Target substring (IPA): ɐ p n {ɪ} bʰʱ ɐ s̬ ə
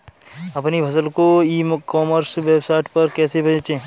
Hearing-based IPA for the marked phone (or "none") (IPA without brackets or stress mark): i